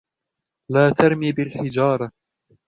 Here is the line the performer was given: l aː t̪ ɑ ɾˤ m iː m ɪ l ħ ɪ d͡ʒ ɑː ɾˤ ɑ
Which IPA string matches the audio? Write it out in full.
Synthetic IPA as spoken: l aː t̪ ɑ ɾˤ m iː b ɪ l ħ ɪ d͡ʒ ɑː ɾˤ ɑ